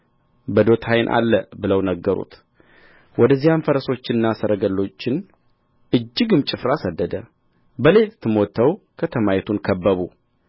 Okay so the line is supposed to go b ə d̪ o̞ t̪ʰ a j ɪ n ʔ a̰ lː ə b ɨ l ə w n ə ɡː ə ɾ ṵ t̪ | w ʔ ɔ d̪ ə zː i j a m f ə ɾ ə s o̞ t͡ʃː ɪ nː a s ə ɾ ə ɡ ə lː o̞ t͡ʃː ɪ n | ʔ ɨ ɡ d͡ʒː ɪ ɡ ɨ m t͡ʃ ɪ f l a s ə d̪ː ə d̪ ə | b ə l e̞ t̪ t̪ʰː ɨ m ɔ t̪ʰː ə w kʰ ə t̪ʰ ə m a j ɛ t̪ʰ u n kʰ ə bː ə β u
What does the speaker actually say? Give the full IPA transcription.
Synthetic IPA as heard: b ə d̪ o̞ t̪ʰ a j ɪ n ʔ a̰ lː ə b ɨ l ə w n ə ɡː ə ɾ ṵ t̪ | w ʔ ɔ d̪ ə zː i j a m f ə ɾ ə s o̞ t͡ʃː ɪ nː a s ə ɾ ə ɡ ə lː o̞ t͡ʃː ɪ n | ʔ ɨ d͡ʒː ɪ ɡ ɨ m t͡ʃʼ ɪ f ɾ a s ə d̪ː ə d̪ ə | b ə l e̞ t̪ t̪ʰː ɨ m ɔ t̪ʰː ə w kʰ ə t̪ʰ ə m a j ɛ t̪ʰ u n kʰ ə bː ə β u